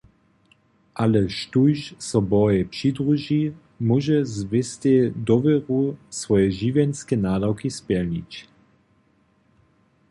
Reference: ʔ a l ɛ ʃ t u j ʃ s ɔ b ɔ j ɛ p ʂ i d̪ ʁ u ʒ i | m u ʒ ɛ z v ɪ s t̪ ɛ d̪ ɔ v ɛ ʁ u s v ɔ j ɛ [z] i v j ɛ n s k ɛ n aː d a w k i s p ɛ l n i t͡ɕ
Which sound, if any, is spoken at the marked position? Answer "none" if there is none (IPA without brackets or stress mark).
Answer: ʒ